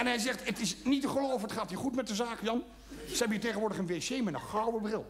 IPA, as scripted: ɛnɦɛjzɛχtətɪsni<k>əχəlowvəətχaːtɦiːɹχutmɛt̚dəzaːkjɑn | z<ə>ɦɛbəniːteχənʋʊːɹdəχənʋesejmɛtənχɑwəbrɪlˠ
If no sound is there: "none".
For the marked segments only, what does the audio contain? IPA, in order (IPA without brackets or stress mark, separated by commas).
t, ə